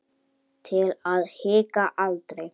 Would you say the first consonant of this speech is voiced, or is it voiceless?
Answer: voiceless